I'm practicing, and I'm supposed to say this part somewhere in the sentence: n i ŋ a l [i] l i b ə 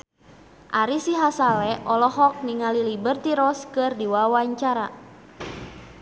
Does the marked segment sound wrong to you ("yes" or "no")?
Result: no